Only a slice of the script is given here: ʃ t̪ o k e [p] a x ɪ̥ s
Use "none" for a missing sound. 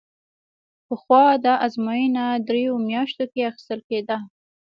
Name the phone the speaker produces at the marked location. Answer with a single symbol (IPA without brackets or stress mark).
none